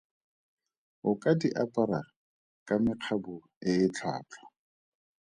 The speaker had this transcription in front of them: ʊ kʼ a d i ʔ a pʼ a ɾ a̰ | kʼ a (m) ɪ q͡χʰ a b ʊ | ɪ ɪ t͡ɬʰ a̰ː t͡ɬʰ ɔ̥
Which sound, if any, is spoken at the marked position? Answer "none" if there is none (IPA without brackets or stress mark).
m